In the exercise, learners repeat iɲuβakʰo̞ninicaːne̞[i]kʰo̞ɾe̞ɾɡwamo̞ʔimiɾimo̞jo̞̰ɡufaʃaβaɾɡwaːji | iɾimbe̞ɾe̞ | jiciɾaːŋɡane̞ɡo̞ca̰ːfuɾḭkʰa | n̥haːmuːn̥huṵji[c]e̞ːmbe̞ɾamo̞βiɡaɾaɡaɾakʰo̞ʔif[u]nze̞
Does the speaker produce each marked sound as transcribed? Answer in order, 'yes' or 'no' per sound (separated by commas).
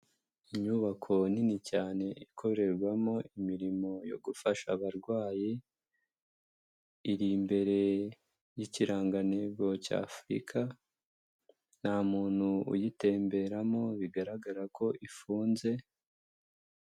yes, no, no